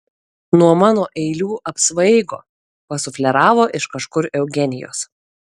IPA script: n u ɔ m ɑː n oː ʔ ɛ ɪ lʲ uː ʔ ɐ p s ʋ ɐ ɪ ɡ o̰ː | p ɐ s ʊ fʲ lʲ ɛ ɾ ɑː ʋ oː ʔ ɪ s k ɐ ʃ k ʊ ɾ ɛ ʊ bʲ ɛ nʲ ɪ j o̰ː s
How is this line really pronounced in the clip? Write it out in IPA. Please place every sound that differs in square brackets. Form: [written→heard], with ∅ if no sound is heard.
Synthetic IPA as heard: n u ɔ m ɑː n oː ʔ ɛ ɪ lʲ uː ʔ ɐ p s ʋ ɐ ɪ ɡ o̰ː | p ɐ s ʊ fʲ lʲ ɛ ɾ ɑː ʋ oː ʔ ɪ [s→ʃ] k ɐ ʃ k ʊ ɾ ɛ ʊ [bʲ→ɡʲ] ɛ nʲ ɪ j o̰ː s